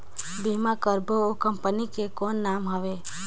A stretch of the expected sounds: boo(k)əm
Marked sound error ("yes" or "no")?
no